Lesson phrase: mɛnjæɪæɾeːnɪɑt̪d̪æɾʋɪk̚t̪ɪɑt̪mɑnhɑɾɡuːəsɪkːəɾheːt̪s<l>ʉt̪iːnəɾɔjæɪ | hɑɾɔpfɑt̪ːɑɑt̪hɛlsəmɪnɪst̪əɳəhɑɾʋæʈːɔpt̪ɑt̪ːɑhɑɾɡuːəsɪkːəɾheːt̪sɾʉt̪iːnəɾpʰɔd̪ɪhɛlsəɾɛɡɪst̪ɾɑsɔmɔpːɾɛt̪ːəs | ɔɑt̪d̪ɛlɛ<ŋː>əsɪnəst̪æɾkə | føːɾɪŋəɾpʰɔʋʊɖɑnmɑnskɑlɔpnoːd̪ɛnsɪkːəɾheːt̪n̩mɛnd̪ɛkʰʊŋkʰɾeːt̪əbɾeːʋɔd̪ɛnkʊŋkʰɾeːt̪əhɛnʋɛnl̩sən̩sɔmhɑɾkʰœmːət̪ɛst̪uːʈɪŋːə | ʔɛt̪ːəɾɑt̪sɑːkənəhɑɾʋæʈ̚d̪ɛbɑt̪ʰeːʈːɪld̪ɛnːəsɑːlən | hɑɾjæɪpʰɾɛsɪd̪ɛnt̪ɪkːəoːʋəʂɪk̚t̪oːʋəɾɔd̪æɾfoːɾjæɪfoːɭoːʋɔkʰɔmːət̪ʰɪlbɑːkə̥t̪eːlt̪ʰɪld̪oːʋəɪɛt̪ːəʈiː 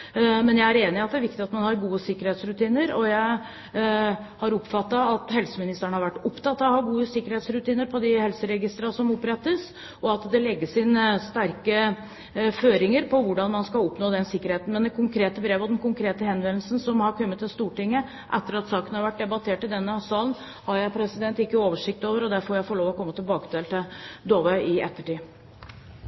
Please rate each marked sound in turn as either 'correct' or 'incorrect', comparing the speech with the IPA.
incorrect, incorrect

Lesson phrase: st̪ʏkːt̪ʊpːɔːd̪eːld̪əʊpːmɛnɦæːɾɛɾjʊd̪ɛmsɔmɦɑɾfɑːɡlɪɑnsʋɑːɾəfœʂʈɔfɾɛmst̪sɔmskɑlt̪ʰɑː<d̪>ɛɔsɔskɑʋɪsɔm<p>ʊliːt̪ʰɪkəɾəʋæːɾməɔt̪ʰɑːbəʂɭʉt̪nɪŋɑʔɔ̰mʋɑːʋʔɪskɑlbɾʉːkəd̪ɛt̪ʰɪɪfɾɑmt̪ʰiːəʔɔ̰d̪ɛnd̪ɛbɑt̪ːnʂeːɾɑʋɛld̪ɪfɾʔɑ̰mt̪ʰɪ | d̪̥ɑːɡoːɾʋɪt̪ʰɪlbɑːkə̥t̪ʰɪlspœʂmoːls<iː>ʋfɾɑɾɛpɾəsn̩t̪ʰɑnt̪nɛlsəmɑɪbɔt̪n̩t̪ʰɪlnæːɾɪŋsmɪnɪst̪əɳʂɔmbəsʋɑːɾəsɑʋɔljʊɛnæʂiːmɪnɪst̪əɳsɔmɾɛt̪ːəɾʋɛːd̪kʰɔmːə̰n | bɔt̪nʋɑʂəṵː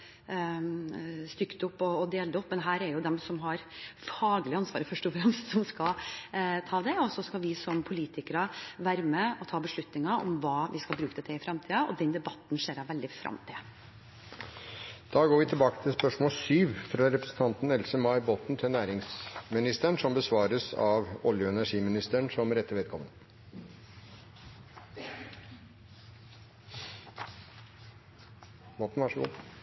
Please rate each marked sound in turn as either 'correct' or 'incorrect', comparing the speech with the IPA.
correct, incorrect, incorrect

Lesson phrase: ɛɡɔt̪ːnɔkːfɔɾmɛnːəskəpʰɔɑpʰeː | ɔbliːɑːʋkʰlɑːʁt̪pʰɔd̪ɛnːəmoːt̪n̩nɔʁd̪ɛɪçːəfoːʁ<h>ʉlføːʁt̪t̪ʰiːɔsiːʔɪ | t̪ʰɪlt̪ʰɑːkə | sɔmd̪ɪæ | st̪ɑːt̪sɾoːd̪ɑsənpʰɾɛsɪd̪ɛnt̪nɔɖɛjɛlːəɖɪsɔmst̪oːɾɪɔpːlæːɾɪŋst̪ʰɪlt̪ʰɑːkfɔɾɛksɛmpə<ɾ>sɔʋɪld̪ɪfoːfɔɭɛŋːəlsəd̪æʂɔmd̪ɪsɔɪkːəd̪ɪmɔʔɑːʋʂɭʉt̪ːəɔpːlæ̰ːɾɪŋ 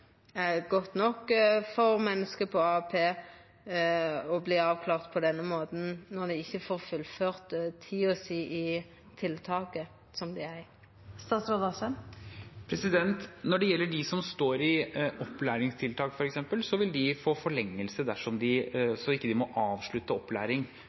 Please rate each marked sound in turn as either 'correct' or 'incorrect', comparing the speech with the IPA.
incorrect, incorrect

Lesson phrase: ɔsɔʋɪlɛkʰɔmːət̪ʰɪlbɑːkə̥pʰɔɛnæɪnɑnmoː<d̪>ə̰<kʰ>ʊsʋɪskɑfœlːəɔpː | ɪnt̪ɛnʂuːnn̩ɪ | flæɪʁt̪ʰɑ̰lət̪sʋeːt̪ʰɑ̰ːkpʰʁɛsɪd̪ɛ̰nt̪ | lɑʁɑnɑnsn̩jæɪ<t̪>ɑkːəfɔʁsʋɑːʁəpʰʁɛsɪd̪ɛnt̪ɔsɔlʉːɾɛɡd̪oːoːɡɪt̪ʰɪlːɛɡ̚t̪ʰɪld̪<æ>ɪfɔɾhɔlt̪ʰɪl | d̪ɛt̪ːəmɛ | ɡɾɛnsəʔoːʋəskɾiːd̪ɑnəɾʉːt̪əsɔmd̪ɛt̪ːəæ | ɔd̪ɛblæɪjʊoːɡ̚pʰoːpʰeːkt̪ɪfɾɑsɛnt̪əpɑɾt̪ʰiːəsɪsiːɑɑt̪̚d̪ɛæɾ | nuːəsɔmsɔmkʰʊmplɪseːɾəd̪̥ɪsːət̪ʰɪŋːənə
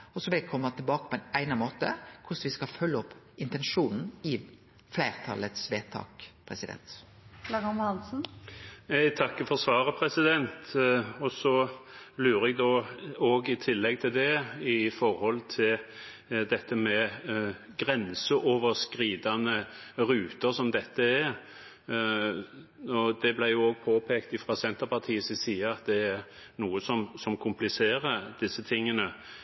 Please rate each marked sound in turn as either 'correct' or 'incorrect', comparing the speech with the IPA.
incorrect, correct, incorrect, incorrect

